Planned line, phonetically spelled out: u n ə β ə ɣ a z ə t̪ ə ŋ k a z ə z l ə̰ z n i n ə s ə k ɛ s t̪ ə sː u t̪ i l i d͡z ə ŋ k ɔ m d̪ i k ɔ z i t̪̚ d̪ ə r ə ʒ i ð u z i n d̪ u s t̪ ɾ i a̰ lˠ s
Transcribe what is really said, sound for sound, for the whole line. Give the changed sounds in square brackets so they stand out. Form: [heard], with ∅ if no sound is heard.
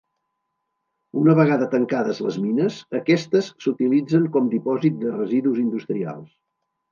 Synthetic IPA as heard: u n ə β ə ɣ a [ð] ə t̪ ə ŋ k a [ð] ə z l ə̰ z [m] i n ə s ə k ɛ s t̪ ə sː u t̪ i l i d͡z ə ŋ k ɔ m d̪ i [p] ɔ z i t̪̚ d̪ ə r ə [z] i ð u z i n d̪ u s t̪ ɾ i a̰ lˠ s